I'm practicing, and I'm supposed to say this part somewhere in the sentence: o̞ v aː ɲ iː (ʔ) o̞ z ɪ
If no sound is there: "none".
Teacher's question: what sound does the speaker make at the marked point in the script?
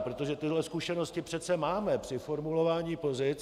p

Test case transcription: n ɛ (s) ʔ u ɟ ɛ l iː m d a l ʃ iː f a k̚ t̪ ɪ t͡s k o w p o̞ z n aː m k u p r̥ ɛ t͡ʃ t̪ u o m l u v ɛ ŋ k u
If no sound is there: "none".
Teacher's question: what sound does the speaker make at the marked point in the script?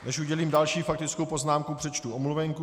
ʃ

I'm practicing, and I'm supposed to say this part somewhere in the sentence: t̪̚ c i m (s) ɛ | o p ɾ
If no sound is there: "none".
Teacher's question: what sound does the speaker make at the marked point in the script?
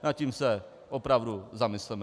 s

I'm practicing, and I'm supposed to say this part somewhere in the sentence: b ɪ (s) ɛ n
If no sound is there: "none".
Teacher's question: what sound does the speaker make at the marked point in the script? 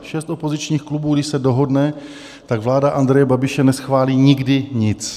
ʃ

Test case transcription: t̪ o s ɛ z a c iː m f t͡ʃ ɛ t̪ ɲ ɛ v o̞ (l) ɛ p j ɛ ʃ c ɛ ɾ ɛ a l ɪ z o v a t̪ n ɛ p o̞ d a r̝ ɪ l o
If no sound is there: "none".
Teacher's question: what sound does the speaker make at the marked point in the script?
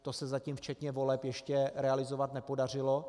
l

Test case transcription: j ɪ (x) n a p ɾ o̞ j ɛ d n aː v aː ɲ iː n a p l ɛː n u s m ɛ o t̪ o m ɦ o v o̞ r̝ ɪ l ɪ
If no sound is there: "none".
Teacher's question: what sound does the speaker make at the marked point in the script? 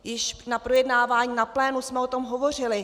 ʃ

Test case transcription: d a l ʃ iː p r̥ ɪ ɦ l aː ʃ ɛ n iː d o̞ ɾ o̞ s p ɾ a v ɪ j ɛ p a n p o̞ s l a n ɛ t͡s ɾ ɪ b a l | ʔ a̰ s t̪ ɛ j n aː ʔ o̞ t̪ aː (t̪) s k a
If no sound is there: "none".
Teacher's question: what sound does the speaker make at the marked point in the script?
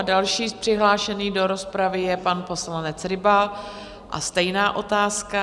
none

